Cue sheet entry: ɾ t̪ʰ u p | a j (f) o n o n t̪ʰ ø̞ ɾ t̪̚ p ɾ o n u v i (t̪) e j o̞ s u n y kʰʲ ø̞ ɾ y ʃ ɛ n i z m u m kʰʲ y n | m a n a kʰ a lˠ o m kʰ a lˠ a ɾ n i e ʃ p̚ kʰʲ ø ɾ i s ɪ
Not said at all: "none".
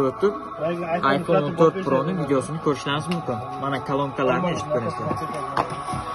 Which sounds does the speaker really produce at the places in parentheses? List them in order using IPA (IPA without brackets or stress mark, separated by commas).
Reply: f, d̪